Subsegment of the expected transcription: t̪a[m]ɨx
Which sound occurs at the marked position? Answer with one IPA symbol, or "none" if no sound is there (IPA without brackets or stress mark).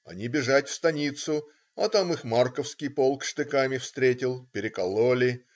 m